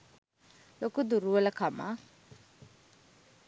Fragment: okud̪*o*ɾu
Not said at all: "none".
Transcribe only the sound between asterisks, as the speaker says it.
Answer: u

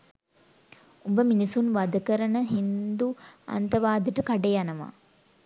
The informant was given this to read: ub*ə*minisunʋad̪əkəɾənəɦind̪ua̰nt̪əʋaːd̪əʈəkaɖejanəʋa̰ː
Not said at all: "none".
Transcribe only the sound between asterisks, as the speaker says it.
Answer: ə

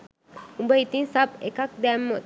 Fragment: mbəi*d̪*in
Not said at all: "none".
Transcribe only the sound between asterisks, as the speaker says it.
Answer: t̪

